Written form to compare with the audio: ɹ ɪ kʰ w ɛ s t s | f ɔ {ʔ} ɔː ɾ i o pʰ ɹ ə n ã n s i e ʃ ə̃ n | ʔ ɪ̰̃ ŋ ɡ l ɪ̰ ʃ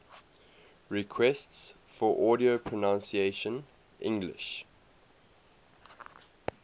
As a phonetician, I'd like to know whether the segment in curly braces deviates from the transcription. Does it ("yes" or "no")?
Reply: no